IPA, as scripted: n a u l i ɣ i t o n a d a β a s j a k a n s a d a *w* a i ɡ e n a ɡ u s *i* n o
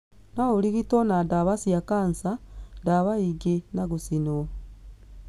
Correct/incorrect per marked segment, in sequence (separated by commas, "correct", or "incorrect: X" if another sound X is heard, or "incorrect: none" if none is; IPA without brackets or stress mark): incorrect: β, correct